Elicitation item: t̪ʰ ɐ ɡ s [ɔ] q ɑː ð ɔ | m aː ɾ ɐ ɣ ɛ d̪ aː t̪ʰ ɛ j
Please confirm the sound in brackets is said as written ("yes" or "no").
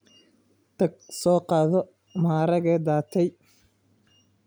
no